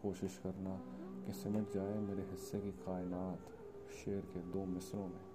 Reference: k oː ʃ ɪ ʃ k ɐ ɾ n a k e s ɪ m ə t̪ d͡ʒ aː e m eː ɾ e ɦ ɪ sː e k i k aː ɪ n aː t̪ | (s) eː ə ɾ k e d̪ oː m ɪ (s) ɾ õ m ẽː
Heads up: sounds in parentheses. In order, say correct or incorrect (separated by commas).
incorrect, correct